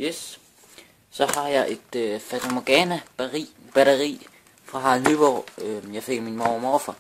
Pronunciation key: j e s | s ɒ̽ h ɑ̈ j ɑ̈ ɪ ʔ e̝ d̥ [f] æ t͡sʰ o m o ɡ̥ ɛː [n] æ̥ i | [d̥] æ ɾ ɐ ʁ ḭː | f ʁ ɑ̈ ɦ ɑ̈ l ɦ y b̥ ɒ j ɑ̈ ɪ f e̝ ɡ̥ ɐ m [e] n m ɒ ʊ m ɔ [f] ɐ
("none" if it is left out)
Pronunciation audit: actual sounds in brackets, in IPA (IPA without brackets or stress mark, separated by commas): f, n, b̥, i, f